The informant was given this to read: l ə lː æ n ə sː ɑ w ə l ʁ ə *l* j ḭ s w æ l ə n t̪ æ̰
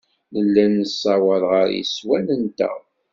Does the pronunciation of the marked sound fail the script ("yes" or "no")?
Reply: yes